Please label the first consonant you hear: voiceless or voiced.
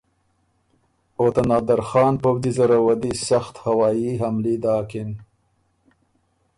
voiceless